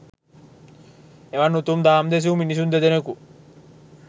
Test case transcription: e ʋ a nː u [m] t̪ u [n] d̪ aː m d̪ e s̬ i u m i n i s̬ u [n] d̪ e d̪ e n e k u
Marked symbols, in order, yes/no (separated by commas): no, no, yes